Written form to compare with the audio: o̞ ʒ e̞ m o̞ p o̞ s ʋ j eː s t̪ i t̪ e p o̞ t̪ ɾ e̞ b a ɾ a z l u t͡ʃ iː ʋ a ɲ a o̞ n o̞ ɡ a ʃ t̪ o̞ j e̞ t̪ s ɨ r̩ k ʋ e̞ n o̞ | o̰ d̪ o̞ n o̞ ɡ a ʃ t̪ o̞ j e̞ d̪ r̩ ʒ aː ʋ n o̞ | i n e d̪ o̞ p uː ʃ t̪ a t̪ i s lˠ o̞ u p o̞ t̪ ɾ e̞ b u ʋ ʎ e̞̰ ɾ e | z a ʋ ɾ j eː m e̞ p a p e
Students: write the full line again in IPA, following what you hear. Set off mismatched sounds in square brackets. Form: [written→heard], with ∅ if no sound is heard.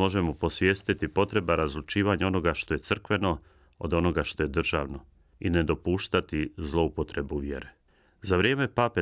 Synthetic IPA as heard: o̞ ʒ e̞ m o̞ p o̞ s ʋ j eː s t̪ i t̪ [e→i] p o̞ t̪ ɾ e̞ b a ɾ a z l u t͡ʃ iː ʋ a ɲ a o̞ n o̞ ɡ a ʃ t̪ o̞ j e̞ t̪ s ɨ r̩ k ʋ e̞ n o̞ | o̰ d̪ o̞ n o̞ ɡ a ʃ t̪ o̞ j e̞ d̪ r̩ ʒ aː ʋ n o̞ | i n e d̪ o̞ p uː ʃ t̪ a t̪ i [s→z] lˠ o̞ u p o̞ t̪ ɾ e̞ b u ʋ [ʎ→j] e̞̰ ɾ e | z a ʋ ɾ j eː m e̞ p a p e